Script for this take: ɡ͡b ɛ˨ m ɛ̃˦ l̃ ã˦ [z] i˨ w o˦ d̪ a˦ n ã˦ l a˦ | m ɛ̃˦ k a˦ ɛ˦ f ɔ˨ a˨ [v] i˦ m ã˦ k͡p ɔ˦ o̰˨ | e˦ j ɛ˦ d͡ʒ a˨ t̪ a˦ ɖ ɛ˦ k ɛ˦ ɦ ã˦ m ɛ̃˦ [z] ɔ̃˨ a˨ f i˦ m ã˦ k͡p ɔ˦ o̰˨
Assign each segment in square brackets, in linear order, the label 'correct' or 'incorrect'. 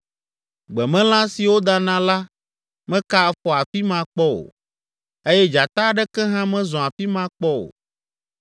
incorrect: s, incorrect: f, correct

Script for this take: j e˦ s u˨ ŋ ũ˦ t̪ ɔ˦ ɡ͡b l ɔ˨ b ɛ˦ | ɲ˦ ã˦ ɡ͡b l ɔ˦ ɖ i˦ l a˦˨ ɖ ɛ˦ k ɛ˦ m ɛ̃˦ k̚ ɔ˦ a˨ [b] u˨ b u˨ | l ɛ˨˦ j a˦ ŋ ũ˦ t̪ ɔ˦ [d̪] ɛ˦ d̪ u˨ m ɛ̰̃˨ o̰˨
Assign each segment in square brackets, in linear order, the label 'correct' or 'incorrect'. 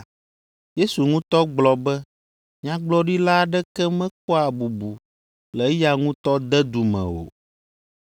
correct, correct

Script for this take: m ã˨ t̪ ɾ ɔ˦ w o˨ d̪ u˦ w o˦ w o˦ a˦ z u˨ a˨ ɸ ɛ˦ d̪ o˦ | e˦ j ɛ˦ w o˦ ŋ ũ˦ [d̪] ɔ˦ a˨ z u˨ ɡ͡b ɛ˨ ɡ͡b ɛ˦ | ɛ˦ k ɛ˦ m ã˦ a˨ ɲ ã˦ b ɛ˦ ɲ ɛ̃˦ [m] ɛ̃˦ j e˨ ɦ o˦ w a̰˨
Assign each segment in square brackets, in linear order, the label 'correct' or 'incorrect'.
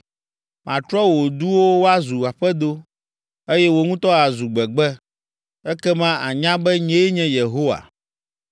incorrect: t̪, incorrect: ɲ

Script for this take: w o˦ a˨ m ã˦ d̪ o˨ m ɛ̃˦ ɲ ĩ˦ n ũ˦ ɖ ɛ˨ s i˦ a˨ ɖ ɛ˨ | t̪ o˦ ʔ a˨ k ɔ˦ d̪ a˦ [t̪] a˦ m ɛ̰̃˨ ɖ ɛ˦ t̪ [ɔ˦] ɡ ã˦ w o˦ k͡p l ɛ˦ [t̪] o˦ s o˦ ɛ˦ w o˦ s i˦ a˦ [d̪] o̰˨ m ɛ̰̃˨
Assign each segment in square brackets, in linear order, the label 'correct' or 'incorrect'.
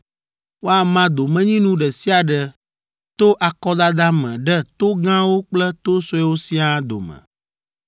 incorrect: d̪, incorrect: o˦, correct, correct

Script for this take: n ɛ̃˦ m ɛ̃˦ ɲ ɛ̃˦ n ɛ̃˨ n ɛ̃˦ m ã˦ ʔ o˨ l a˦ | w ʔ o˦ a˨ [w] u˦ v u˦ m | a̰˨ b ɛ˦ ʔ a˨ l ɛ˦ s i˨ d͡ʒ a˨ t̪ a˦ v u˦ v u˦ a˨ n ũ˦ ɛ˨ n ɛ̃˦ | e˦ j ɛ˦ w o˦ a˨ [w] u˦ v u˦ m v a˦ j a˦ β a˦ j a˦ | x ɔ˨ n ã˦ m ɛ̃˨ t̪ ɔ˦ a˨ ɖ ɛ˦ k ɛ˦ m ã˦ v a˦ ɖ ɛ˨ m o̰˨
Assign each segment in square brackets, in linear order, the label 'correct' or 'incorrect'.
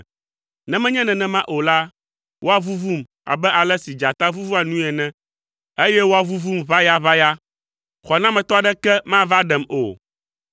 incorrect: v, incorrect: v

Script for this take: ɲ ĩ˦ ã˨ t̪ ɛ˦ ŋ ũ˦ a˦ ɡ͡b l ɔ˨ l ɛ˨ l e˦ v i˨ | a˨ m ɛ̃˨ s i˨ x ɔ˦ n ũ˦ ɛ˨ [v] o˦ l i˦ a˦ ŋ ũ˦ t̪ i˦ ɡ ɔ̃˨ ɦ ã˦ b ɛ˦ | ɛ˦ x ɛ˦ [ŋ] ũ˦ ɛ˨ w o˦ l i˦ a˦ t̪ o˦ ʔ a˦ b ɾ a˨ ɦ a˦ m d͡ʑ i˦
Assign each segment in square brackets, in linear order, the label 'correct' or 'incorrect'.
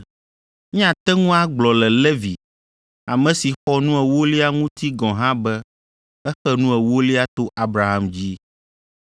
incorrect: w, incorrect: n

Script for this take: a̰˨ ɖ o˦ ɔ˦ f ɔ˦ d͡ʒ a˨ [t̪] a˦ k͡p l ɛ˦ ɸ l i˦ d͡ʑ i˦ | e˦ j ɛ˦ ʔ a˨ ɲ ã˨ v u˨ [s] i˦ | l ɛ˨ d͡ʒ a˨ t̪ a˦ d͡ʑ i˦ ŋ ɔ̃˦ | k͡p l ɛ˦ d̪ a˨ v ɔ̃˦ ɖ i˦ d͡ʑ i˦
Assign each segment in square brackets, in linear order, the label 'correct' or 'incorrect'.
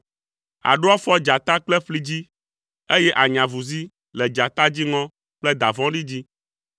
correct, incorrect: z

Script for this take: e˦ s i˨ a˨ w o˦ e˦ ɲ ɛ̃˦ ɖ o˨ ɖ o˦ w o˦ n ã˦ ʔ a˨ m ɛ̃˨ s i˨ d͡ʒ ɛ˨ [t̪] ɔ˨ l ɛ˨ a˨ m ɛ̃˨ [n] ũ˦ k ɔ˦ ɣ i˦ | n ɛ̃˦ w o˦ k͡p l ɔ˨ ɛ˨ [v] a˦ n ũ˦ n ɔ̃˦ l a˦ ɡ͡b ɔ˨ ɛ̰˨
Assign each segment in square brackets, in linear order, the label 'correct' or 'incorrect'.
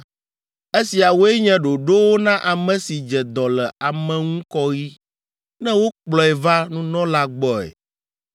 incorrect: d̪, incorrect: ŋ, correct

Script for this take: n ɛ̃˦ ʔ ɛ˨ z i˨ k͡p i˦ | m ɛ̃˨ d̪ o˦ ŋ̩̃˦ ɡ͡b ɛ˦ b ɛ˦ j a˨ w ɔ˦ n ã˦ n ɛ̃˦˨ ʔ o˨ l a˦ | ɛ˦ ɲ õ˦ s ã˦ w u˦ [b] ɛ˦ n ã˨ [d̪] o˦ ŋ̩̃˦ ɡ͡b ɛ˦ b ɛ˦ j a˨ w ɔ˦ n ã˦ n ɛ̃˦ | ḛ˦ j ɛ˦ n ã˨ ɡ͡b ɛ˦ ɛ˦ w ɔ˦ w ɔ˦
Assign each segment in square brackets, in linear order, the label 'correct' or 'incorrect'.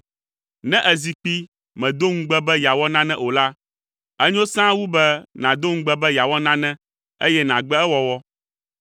correct, correct

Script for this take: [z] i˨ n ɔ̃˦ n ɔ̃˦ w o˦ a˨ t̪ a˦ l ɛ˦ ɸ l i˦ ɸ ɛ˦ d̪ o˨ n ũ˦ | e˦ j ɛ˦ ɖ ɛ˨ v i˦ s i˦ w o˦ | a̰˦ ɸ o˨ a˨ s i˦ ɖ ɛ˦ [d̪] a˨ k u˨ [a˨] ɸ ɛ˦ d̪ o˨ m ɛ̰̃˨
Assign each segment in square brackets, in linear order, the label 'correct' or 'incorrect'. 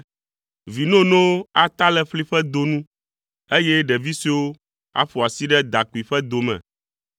incorrect: v, correct, incorrect: i˨

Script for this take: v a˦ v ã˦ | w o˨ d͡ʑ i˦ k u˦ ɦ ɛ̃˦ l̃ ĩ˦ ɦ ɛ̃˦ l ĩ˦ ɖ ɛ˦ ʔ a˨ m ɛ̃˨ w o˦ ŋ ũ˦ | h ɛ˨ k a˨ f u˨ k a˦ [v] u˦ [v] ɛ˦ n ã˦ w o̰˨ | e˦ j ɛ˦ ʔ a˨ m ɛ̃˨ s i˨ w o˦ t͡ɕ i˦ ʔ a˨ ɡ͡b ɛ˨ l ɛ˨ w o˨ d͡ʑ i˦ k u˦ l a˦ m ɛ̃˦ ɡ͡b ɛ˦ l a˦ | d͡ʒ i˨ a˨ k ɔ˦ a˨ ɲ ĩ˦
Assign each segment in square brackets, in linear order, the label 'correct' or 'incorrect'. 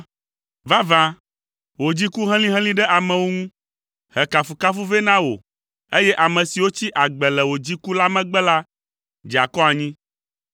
incorrect: f, correct

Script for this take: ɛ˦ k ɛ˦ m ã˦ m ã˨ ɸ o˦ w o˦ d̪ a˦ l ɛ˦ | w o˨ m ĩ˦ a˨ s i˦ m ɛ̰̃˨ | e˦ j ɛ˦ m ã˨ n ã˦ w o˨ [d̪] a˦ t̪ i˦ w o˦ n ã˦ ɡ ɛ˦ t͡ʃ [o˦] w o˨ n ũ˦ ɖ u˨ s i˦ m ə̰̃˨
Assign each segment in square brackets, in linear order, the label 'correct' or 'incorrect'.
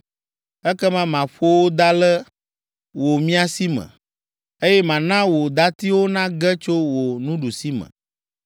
correct, correct

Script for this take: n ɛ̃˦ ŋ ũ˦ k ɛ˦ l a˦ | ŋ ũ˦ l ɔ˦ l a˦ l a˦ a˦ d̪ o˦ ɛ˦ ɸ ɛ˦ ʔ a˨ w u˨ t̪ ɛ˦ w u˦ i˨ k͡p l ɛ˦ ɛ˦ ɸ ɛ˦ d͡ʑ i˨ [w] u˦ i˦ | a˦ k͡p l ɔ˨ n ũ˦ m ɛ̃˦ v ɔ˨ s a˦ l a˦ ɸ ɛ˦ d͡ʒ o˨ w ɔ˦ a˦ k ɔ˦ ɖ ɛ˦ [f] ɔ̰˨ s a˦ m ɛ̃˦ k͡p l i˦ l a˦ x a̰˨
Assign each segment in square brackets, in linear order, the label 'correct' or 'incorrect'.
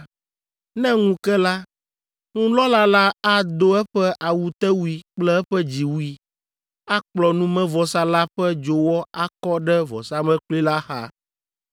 correct, incorrect: v

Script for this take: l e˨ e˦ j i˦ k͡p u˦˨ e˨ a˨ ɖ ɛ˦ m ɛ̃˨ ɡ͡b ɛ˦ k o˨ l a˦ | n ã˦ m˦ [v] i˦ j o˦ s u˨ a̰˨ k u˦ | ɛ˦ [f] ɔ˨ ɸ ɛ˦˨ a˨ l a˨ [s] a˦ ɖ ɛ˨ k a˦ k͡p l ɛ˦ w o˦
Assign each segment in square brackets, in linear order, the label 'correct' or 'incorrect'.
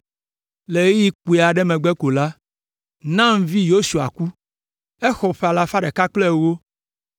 correct, incorrect: x, incorrect: f

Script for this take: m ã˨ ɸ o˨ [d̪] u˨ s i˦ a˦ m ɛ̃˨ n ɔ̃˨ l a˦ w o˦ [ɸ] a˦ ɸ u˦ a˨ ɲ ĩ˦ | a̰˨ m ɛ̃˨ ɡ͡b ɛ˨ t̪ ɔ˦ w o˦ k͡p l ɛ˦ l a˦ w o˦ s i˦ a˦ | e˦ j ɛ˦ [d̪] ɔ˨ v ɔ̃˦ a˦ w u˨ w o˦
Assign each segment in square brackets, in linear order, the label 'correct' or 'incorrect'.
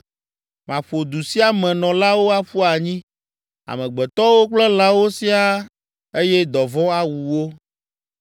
correct, incorrect: none, correct

